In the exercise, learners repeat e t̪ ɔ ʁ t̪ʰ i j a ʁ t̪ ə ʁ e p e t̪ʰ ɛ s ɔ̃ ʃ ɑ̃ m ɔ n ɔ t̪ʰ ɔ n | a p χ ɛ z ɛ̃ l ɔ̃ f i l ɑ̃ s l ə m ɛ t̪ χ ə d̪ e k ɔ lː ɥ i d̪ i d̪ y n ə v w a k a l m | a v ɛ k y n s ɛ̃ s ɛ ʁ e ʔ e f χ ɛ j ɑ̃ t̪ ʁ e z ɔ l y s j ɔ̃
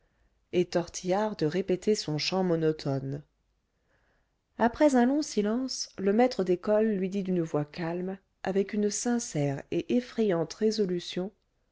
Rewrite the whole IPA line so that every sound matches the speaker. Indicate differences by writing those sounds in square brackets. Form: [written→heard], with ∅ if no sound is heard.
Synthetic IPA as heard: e t̪ ɔ ʁ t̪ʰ i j a ʁ [t̪→d̪] ə ʁ e p e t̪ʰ [ɛ→e] s ɔ̃ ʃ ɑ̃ m ɔ n ɔ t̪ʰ ɔ n | a p χ ɛ z ɛ̃ l ɔ̃ [f→s] i l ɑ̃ s l ə m ɛ t̪ χ ə d̪ e k ɔ lː ɥ i d̪ i d̪ y n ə v w a k a l m | a v ɛ k y n s ɛ̃ s ɛ ʁ e ʔ e f χ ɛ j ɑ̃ t̪ ʁ e z ɔ l y s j ɔ̃